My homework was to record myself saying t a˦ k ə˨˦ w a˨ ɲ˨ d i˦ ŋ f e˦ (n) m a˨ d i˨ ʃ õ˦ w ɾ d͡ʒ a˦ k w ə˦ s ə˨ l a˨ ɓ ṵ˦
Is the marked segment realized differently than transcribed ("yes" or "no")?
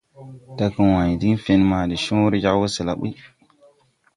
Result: no